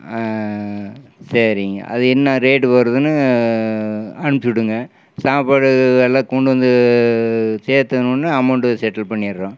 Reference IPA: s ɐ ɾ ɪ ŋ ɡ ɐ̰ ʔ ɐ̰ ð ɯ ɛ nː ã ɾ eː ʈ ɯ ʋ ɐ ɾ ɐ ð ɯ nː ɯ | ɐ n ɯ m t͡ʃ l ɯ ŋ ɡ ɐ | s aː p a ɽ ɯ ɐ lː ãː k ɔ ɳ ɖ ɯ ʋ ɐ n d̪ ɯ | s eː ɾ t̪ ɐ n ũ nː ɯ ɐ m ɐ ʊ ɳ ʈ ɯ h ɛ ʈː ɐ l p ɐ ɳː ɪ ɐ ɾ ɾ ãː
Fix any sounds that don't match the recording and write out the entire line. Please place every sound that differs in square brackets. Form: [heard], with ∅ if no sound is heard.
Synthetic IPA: s ɐ ɾ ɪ ŋ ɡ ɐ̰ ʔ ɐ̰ ð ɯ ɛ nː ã ɾ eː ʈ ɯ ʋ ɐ ɾ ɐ ð ɯ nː ɯ | ɐ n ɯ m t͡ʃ [ɽ] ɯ ŋ ɡ ɐ | s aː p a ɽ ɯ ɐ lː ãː k ɔ ɳ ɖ ɯ ʋ ɐ n d̪ ɯ | s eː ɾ t̪ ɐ n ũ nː ɯ ɐ m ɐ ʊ ɳ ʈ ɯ [s] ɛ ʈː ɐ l p ɐ ɳː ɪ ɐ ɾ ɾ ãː